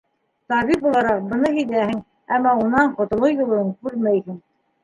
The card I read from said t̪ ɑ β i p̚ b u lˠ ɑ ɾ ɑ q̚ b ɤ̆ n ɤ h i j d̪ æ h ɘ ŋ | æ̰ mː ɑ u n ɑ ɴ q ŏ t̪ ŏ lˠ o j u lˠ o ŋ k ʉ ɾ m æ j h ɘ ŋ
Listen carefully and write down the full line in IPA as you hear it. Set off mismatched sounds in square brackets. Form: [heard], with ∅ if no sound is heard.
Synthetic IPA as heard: t̪ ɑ β i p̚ b u lˠ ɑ ɾ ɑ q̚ b ɤ̆ n ɤ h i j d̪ æ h ɘ ŋ | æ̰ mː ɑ u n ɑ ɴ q ŏ t̪ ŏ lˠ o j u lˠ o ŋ k ʉ ɾ m æ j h ɘ ŋ